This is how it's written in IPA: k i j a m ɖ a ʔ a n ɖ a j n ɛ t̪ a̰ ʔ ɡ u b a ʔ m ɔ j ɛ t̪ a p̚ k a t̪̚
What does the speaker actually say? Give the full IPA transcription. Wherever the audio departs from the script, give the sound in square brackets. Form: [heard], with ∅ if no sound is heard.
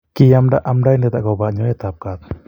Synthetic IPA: k i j a m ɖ a ʔ a [m] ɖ a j n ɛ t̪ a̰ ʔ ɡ [ɔ] b a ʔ [ɲ] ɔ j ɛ t̪ a p̚ k a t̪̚